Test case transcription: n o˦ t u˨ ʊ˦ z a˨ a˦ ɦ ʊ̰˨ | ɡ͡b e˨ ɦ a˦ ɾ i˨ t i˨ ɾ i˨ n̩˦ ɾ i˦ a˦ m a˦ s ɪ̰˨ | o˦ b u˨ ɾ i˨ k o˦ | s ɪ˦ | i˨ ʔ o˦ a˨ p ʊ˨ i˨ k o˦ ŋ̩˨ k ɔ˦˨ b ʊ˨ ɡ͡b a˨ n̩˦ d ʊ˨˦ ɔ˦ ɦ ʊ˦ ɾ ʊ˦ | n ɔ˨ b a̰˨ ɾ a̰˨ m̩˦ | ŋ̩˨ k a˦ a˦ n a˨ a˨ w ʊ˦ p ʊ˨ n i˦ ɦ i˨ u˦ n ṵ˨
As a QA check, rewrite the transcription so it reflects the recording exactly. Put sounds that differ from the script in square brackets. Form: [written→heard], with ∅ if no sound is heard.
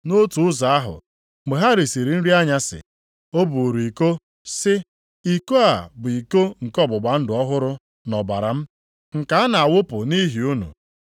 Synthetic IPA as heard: n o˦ t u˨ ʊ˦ z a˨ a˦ ɦ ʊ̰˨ | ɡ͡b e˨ ɦ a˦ ɾ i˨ [t→s] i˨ ɾ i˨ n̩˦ ɾ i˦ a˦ [m→ɲ] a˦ s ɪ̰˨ | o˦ b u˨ ɾ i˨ k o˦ | s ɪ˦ | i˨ [ʔ→k] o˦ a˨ [p→b] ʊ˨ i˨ k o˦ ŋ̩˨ k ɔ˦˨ b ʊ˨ ɡ͡b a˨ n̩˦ d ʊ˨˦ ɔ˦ ɦ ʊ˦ ɾ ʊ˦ | n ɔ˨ b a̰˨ ɾ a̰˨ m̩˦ | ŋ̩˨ k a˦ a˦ n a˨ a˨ w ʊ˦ p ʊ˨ n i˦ ɦ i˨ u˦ n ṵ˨